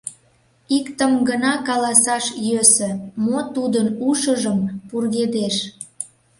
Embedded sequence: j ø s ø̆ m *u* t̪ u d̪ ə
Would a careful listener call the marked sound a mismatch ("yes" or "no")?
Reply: yes